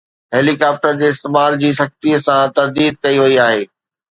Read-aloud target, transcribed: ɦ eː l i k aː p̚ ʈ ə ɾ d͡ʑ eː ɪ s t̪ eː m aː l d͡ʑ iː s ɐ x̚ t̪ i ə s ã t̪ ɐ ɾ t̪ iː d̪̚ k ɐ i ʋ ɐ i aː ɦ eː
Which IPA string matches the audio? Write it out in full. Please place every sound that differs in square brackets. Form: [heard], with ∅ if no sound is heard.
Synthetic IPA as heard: ɦ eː l i k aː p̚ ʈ ə ɾ d͡ʑ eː ɪ s t̪ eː m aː l d͡ʑ iː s ɐ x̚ t̪ i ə s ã t̪ ɐ ɾ [d̪] iː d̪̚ k ɐ i ʋ ɐ i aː ɦ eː